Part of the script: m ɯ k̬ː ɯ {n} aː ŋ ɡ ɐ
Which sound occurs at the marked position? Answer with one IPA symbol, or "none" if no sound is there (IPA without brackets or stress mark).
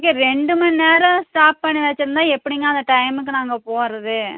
n